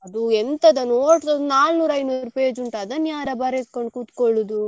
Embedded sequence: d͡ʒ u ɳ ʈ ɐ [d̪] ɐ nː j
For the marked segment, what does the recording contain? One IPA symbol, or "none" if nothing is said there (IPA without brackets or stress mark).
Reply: d̪